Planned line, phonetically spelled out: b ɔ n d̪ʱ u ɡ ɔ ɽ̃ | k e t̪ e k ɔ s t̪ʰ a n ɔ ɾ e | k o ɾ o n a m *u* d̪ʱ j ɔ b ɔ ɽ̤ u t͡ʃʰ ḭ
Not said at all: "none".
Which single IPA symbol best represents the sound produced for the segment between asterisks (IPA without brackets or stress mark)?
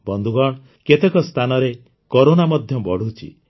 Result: ɔ